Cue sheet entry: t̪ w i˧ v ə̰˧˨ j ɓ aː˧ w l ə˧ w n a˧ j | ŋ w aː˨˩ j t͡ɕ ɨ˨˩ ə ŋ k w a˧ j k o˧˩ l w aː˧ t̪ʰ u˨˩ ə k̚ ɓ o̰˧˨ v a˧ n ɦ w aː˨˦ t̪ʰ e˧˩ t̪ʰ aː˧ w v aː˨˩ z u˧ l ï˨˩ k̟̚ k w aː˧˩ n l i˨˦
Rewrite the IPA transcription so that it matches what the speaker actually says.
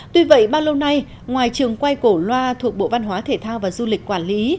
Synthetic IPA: t̪ w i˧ v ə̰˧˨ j ɓ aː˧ w l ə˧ w n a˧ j | ŋ w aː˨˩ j t͡ɕ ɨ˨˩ ə ŋ k w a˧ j k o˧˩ l w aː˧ t̪ʰ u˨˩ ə k̚ ɓ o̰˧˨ v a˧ n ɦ w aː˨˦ t̪ʰ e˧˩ t̪ʰ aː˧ w v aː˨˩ z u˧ l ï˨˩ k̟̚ k w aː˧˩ n l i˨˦